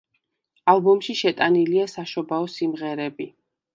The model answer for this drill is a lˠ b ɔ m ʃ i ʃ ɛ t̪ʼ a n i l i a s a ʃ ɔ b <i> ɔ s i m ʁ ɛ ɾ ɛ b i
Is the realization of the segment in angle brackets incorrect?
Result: yes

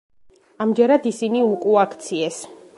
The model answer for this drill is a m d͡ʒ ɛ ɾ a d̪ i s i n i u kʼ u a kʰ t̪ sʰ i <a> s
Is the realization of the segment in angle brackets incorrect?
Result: yes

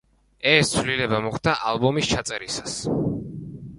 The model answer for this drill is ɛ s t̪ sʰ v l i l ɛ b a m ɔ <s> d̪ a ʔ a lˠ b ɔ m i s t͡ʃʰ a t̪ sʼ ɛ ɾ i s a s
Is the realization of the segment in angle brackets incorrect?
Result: yes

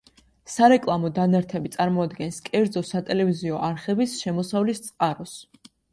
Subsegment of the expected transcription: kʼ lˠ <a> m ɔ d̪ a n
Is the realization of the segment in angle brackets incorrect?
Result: no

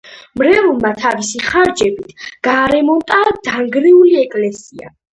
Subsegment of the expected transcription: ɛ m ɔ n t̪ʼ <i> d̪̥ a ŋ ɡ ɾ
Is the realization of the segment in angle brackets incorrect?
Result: yes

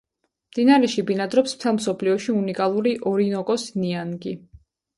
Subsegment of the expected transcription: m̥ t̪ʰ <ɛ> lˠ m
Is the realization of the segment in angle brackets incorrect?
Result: no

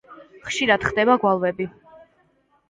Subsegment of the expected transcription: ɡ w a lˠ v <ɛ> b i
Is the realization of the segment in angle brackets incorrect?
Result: no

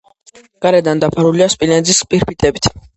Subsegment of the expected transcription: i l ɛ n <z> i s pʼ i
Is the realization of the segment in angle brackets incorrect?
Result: no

